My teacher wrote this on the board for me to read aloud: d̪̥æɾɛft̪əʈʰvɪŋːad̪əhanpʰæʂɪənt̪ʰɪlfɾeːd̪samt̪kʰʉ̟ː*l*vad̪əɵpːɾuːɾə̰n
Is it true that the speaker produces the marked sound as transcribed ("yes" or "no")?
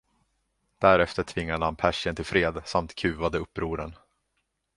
no